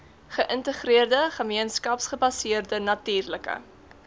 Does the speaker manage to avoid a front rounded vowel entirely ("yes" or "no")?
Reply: yes